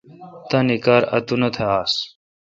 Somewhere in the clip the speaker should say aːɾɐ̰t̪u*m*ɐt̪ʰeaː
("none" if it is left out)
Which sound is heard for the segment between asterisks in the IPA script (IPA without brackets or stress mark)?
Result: n